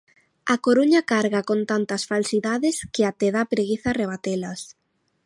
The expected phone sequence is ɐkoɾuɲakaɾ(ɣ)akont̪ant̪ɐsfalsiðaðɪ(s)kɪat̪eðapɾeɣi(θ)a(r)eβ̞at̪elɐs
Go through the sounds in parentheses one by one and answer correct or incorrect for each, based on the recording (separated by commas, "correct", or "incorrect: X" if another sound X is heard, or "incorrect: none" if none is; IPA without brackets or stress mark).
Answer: correct, correct, correct, correct